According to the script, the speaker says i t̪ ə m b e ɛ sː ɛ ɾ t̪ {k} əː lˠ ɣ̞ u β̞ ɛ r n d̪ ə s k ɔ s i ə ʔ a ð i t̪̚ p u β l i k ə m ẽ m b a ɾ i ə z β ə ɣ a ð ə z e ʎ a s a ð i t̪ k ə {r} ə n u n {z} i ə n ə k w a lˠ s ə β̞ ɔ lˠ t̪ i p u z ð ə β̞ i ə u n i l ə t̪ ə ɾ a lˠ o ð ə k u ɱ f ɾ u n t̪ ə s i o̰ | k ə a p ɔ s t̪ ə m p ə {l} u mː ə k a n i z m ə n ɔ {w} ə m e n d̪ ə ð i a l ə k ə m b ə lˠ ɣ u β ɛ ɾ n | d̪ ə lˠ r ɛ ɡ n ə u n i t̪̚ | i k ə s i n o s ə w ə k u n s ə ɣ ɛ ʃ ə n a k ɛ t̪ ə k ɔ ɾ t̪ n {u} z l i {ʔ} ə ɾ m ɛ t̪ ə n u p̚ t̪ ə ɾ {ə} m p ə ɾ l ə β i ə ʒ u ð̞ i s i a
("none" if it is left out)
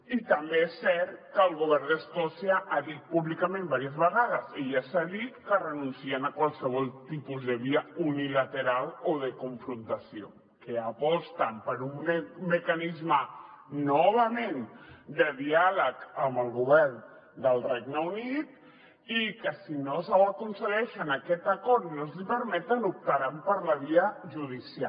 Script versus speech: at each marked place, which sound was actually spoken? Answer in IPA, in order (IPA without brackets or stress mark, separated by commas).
k, r, s, ɾ, β, o, p, a